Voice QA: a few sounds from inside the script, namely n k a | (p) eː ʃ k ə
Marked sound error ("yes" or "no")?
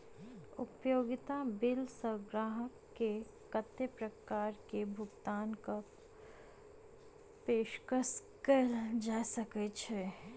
no